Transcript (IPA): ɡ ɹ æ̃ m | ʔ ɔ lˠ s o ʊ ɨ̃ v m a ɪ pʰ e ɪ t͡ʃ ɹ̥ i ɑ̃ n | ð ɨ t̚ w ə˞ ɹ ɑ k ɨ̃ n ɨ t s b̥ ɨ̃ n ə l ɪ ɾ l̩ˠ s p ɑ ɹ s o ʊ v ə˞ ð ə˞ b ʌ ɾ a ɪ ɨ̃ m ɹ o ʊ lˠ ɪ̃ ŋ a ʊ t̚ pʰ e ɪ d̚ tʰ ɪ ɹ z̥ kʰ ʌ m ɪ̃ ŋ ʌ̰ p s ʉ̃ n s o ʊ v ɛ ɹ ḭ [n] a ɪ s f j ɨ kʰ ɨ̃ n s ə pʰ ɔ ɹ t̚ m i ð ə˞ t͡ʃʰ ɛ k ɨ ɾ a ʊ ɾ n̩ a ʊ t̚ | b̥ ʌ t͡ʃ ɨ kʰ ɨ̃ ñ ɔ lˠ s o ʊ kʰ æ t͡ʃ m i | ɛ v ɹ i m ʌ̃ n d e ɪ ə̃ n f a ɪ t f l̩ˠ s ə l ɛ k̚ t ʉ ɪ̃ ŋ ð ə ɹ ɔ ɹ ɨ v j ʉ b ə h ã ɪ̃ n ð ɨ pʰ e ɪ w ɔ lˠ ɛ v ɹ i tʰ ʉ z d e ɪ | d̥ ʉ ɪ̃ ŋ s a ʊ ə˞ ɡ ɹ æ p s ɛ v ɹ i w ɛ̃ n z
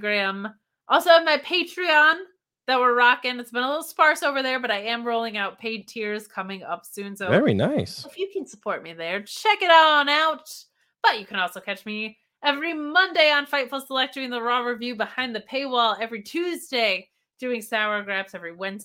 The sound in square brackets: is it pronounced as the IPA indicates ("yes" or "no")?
yes